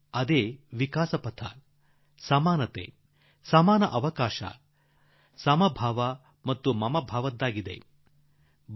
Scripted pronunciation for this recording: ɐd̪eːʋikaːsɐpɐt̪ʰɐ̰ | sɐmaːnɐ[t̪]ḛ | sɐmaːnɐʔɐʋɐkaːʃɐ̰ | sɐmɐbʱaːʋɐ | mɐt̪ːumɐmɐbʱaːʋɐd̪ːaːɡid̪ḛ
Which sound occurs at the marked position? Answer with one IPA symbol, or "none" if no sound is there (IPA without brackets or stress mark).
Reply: t̪